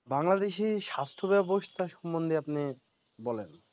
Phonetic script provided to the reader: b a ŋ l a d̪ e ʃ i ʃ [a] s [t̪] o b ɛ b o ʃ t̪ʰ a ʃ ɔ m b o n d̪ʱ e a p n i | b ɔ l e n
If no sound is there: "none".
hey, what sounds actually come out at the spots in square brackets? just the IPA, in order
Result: a, t̪ʰ

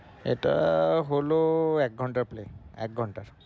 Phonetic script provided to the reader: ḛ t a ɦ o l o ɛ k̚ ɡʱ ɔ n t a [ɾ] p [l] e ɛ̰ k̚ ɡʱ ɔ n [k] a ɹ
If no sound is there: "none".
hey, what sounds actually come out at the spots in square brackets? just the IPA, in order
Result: ɹ, l, t

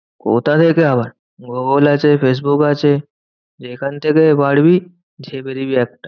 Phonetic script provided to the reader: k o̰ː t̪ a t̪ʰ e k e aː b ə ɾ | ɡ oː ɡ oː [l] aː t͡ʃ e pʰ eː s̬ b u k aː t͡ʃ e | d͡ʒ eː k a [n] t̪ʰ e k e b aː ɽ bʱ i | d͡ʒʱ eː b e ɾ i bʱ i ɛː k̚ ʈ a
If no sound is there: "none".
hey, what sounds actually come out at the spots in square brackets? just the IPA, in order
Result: l, n

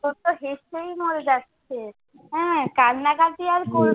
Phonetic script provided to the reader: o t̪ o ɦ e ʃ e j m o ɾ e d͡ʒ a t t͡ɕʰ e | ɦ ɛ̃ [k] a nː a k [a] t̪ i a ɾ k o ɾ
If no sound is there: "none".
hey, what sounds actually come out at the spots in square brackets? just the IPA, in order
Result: k, a

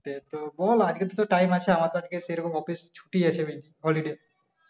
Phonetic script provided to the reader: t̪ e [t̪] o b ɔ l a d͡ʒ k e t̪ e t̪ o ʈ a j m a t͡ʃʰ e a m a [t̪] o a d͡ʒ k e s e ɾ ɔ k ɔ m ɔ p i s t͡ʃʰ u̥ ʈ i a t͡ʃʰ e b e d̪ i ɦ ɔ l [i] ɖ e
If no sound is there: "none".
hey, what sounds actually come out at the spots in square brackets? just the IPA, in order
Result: t̪, t̪, i

